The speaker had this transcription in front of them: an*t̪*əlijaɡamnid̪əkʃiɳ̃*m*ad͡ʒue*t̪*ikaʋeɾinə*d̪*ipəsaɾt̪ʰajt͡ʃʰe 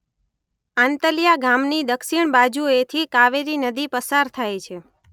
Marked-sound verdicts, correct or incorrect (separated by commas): correct, incorrect, incorrect, correct